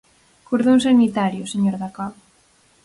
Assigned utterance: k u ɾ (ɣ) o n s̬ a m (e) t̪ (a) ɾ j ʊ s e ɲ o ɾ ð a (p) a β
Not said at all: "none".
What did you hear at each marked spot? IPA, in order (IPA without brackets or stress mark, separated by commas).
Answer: ð, i, a, k